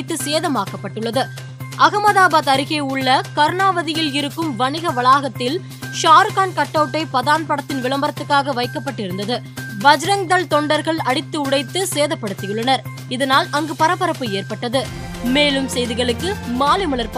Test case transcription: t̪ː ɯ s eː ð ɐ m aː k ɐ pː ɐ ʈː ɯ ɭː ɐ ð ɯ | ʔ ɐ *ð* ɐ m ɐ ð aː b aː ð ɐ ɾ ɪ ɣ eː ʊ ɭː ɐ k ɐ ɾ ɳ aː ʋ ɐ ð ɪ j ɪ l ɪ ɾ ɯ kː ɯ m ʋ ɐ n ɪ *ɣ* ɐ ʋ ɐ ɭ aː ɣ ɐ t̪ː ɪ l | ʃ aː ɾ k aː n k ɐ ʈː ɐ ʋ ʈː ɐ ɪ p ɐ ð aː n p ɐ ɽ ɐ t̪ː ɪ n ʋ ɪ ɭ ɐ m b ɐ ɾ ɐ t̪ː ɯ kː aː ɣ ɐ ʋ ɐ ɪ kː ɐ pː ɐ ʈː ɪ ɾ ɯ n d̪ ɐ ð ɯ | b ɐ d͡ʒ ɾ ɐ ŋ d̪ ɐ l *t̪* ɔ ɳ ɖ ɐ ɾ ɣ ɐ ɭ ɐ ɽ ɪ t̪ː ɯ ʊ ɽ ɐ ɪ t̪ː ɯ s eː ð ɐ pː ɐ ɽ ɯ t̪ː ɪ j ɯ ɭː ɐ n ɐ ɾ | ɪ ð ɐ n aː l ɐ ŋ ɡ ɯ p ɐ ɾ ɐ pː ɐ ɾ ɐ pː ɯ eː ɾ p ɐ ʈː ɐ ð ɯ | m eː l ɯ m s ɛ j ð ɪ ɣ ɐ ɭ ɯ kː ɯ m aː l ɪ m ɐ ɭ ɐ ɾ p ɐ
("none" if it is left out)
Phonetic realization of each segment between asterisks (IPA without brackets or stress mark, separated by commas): ɣ, ɣ, t̪